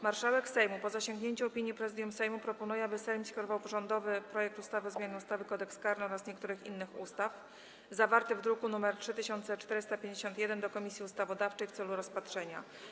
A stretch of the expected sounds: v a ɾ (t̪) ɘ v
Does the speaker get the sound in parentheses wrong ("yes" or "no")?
no